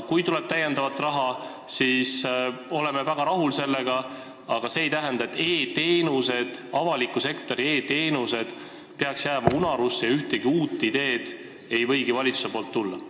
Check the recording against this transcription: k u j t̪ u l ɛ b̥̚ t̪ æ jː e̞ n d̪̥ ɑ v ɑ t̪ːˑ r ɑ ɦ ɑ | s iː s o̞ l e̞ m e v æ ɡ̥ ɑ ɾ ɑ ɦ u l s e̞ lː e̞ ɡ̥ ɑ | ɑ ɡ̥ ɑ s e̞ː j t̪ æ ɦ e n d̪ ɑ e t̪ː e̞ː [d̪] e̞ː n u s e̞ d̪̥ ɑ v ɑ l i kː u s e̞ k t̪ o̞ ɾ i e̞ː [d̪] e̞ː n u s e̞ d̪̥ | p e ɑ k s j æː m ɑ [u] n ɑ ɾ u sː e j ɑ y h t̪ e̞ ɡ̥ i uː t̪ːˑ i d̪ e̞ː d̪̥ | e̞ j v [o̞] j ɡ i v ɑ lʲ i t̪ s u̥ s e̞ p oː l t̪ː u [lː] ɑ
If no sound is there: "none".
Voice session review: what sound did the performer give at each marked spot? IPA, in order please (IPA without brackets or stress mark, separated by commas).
t̪, t̪, u, ɤ̞, lː